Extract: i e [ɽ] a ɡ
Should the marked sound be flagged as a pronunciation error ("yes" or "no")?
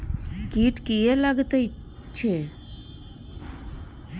yes